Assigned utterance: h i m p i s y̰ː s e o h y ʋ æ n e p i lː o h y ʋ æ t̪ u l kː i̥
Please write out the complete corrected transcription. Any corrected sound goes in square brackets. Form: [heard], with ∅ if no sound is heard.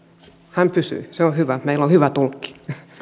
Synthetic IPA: h [æ] m p [y] s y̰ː s e o h y ʋ æ [m] e [∅] i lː o h y ʋ æ t̪ u l kː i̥